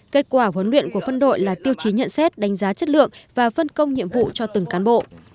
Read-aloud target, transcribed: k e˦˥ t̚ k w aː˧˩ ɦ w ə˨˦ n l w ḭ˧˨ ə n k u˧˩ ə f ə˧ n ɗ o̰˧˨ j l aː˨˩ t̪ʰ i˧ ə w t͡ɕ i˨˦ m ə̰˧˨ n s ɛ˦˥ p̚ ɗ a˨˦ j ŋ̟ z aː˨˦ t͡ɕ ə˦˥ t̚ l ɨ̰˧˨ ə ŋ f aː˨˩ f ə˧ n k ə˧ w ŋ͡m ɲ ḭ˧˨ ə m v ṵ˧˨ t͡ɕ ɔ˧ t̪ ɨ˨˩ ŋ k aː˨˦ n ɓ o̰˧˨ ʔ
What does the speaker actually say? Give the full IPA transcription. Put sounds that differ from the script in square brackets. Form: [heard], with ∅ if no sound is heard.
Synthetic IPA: k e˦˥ t̚ k w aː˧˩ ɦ w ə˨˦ n l w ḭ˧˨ ə n k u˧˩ ə f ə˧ n ɗ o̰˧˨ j l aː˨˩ [t̪] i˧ ə w t͡ɕ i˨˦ [ɲ] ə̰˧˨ n s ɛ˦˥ [t̚] ɗ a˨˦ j ŋ̟ z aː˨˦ t͡ɕ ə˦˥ t̚ l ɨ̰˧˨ ə ŋ [v] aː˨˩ f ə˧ n k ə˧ w ŋ͡m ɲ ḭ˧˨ ə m v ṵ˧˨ t͡ɕ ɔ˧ t̪ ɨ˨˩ ŋ k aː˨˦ n ɓ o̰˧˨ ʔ